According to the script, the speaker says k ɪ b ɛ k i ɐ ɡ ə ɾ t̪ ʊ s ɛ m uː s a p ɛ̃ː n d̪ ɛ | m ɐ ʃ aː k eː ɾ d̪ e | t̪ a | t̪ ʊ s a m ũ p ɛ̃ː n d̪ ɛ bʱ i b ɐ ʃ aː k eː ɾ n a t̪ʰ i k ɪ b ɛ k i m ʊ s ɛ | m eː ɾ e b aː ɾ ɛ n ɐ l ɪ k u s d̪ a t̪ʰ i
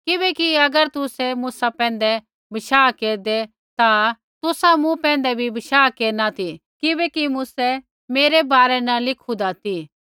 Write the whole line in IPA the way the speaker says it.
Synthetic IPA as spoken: k ɪ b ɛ k i ɐ ɡ ə ɾ t̪ ʊ s ɛ m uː s a p ɛ̃ː n d̪ ɛ | b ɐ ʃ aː k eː ɾ d̪ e | t̪ a | t̪ ʊ s a m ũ p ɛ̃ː n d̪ ɛ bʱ i b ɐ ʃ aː k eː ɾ n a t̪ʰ i k ɪ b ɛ k i m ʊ s ɛ | m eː ɾ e b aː ɾ ɛ n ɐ l ɪ kʰ u d̪ a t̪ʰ i